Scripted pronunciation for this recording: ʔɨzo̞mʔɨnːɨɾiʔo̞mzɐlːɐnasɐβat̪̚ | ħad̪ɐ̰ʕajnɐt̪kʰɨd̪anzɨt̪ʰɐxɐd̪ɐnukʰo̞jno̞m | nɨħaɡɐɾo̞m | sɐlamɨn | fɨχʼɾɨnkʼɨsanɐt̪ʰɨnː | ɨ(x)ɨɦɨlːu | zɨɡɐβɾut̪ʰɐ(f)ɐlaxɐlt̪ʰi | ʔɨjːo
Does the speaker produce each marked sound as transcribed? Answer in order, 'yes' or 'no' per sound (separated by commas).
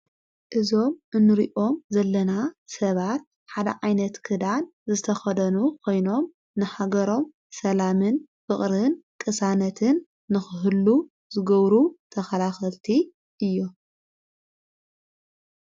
yes, no